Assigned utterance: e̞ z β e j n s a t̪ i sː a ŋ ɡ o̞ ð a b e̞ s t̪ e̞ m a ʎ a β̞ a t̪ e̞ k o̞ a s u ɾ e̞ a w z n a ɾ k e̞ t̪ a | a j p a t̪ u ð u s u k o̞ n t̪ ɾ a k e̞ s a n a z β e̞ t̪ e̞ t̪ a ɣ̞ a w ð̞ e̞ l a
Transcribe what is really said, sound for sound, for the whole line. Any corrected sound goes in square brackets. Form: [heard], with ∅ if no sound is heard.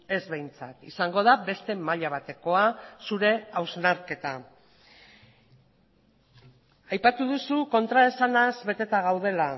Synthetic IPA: e̞ z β e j n [t͡s] a t̪ i [s] a ŋ ɡ o̞ ð a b e̞ s t̪ e̞ m a ʎ a β̞ a t̪ e̞ k o̞ a s u ɾ e̞ a w z n a ɾ k e̞ t̪ a | a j p a t̪ u ð u s u k o̞ n t̪ ɾ a [∅] e̞ s a n a z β e̞ t̪ e̞ t̪ a ɣ̞ a w ð̞ e̞ l a